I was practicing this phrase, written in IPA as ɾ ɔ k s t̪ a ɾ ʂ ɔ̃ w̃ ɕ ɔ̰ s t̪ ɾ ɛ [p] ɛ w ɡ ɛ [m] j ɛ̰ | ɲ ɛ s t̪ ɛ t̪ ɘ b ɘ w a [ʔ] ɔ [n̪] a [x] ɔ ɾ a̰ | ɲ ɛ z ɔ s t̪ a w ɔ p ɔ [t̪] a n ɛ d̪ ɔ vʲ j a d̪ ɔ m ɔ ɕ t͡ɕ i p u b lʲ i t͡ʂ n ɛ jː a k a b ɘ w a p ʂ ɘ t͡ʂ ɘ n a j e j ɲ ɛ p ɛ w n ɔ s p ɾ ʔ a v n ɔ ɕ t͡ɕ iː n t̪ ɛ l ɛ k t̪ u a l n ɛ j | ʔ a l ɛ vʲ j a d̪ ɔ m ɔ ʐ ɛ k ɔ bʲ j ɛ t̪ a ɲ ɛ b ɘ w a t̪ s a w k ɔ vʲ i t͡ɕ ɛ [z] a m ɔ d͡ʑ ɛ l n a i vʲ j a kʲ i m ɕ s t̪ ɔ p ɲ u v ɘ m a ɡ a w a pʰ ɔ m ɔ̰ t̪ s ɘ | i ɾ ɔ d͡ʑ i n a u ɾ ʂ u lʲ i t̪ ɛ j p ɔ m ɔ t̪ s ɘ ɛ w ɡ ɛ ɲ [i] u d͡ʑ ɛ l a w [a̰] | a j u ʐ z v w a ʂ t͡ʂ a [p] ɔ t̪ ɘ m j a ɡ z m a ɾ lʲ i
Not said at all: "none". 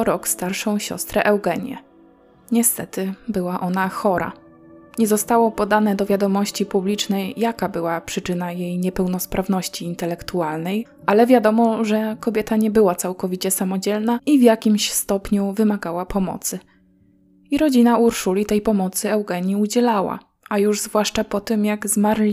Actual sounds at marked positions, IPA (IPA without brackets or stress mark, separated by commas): ʔ, ɲ, ʔ, n̪, x, d̪, s, i, a̰, p